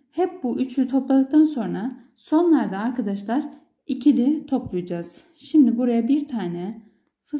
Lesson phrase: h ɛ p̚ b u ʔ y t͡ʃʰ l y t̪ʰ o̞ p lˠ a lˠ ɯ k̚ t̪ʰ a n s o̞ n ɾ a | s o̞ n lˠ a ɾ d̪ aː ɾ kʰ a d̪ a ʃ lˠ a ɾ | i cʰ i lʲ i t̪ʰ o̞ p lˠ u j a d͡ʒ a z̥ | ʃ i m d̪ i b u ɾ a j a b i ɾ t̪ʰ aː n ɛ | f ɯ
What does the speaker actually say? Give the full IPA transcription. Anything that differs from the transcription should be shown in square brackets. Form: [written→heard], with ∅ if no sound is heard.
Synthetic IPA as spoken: h ɛ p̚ b u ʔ y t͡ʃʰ l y t̪ʰ o̞ p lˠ a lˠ ɯ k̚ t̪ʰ a n s o̞ n ɾ a | s o̞ n lˠ a ɾ d̪ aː ɾ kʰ a d̪ a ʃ lˠ a ɾ | i cʰ i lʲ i t̪ʰ o̞ p lˠ u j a d͡ʒ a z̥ | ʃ i m d̪ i b u ɾ a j a b i ɾ t̪ʰ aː n ɛ | f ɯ